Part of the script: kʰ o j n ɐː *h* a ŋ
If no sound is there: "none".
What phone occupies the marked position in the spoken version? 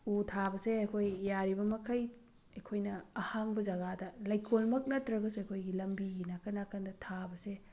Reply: h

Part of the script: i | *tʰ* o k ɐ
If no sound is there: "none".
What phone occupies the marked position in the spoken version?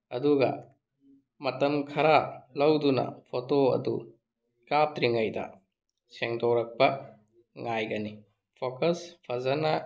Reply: pʰ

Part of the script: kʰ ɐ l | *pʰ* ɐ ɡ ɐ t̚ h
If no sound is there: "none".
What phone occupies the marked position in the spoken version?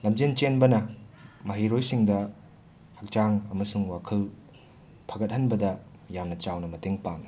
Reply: pʰ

